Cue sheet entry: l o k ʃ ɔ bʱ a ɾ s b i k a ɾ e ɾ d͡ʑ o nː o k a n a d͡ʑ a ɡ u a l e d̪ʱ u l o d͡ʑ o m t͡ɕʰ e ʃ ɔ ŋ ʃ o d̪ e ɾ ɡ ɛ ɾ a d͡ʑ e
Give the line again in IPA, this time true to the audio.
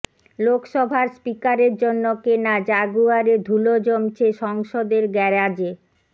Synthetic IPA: l o k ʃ ɔ bʱ a ɾ s p i k a ɾ e ɾ d͡ʑ o nː o k e n a d͡ʑ a ɡ u a ɾ e d̪ʱ u l o d͡ʑ o m t͡ɕʰ e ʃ ɔ ŋ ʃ o d̪ e ɾ ɡ ɛ ɾ a d͡ʑ e